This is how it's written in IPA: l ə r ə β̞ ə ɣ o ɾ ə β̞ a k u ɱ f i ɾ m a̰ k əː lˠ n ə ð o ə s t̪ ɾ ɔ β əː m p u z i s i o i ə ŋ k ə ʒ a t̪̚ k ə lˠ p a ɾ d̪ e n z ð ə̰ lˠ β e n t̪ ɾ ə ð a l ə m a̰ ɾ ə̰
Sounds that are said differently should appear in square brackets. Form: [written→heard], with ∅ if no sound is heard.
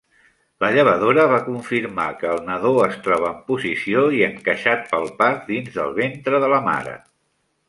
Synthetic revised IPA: l ə [r→ʎ] ə β̞ ə [ɣ→ð] o ɾ ə β̞ a k u ɱ f i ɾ m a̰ k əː lˠ n ə ð o ə s t̪ ɾ ɔ β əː m p u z i s i o i ə ŋ k ə [ʒ→ʃ] a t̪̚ [k→p] ə lˠ p a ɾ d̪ [e→i] n z ð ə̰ lˠ β e n t̪ ɾ ə ð [a→ə] l ə m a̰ ɾ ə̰